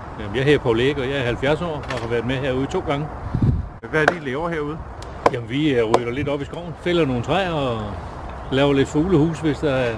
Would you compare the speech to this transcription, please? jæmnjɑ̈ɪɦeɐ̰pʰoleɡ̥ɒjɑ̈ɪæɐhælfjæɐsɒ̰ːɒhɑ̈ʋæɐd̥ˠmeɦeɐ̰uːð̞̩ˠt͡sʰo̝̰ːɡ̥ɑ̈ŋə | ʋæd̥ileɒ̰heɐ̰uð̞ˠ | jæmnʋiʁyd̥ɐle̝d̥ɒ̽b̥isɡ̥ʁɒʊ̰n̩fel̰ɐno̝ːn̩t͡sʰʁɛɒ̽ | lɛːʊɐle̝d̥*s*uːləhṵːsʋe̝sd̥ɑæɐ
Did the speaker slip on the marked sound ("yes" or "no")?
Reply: yes